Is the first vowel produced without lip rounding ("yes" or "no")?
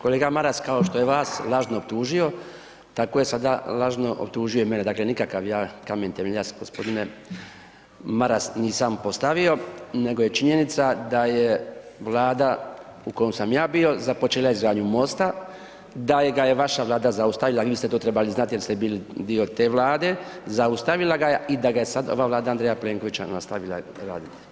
no